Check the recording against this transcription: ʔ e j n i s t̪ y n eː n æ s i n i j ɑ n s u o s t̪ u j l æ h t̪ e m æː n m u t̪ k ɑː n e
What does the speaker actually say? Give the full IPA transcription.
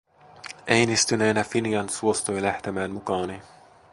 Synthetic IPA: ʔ e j n i s t̪ y n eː n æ f i n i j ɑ n s u o s t̪ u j l æ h t̪ e m æː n m u k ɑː n i